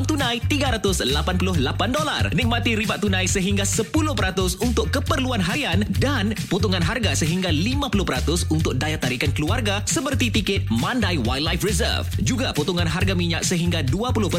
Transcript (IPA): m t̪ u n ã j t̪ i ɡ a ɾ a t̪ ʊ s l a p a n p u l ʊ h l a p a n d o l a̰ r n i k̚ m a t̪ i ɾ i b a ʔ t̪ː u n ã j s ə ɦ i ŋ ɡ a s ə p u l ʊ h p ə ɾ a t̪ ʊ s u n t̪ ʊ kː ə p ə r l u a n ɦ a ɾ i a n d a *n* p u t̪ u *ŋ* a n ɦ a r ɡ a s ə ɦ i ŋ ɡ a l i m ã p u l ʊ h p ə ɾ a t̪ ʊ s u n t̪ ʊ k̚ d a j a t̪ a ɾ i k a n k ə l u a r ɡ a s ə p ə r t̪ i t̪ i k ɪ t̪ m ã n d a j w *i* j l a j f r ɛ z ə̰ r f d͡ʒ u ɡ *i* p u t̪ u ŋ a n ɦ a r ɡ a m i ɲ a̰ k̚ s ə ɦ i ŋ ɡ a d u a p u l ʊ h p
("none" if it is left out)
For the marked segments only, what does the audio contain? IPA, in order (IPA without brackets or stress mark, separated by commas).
n, ŋ, a, a